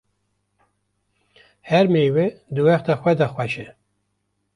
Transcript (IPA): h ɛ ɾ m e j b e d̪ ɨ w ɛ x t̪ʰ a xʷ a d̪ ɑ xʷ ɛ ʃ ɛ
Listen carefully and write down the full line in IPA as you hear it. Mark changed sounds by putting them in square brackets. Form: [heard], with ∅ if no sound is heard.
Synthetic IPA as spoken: h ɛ ɾ m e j [w] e d̪ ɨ w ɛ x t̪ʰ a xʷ [ɛ] d̪ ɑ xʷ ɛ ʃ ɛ